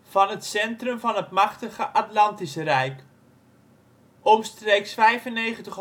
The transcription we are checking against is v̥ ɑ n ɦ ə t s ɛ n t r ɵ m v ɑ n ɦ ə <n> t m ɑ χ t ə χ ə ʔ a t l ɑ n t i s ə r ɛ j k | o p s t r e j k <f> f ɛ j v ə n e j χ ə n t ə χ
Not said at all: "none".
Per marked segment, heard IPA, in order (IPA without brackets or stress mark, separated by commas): none, s